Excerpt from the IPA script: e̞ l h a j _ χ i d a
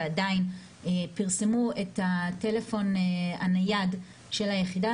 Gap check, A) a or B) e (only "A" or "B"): B